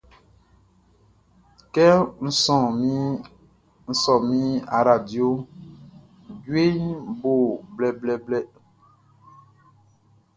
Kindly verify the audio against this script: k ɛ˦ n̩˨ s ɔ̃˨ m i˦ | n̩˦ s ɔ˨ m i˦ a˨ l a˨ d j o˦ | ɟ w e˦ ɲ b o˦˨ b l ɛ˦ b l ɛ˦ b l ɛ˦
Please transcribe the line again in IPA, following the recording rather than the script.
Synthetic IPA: k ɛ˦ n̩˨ s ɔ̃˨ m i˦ | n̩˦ s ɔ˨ m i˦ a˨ ɾ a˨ d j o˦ | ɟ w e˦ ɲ b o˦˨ b l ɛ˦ b l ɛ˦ b l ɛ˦